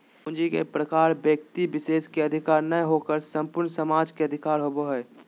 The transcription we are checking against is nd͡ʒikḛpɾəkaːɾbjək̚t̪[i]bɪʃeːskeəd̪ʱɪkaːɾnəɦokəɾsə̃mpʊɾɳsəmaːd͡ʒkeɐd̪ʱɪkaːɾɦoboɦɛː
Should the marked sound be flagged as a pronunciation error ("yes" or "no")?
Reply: no